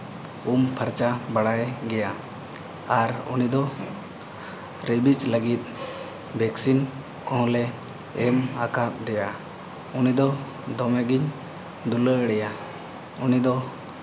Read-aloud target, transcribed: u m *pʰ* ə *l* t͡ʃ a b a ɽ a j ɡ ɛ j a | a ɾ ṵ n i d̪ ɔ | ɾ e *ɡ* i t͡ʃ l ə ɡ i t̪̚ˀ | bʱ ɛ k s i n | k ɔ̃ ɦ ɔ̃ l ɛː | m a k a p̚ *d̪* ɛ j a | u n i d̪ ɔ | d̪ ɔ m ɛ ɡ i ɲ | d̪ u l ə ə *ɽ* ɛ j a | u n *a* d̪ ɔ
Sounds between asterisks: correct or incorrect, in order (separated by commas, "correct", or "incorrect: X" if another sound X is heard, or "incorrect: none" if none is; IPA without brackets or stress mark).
correct, incorrect: ɾ, incorrect: b, correct, correct, incorrect: i